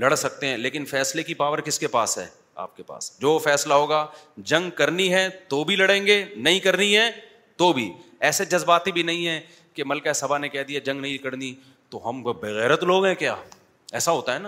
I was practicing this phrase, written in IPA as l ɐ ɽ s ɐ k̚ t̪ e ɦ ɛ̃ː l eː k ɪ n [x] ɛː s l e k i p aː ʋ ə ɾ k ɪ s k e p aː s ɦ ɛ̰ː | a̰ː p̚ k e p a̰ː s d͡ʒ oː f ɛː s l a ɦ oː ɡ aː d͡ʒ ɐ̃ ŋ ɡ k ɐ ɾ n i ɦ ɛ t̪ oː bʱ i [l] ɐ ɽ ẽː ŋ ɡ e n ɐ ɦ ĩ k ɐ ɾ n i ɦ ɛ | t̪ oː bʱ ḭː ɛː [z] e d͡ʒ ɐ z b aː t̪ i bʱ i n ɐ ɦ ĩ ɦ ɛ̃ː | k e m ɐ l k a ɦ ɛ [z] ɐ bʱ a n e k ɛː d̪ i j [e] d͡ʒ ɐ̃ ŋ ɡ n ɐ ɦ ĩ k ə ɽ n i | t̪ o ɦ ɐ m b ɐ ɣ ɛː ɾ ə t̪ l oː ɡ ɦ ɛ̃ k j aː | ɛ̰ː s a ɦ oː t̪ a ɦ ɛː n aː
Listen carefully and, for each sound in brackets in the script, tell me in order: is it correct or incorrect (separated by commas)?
incorrect, correct, incorrect, incorrect, incorrect